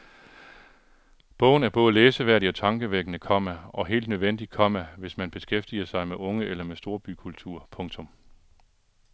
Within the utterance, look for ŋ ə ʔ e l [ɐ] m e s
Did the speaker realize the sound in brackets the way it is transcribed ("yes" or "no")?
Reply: yes